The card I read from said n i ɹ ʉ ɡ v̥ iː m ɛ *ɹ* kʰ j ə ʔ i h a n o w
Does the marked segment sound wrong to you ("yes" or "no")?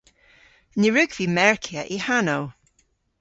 no